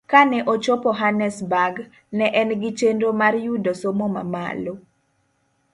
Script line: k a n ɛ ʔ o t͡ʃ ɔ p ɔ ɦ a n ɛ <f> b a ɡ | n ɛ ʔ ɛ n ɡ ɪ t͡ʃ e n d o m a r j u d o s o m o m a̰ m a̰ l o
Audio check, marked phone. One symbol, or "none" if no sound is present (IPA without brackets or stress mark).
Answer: s